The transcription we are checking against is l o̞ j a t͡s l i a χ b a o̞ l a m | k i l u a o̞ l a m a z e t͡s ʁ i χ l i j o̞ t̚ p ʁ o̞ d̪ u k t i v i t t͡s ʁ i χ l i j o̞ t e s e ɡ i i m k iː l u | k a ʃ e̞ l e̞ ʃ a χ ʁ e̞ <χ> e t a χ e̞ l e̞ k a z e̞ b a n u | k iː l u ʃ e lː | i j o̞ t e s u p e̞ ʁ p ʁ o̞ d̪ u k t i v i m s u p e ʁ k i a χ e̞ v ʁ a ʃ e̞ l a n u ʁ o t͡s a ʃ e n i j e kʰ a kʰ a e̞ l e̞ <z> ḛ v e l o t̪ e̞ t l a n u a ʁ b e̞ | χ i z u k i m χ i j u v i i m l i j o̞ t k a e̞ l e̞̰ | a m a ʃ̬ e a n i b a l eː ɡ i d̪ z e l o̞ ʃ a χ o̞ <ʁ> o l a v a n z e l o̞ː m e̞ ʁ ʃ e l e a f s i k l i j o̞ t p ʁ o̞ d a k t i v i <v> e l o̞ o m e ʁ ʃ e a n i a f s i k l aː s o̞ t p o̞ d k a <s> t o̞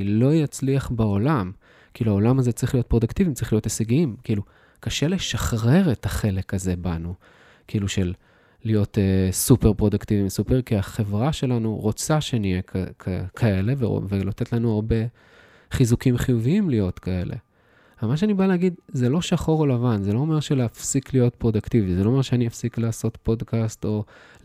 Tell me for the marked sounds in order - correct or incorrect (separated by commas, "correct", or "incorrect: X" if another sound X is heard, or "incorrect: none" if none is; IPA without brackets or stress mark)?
incorrect: ʁ, incorrect: v, correct, incorrect: z, correct